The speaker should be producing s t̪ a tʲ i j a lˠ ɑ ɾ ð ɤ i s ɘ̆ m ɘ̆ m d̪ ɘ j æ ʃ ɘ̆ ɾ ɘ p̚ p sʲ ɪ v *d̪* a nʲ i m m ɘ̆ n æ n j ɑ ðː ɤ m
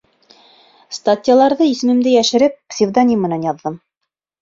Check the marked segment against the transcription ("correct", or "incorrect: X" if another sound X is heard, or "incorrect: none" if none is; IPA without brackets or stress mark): correct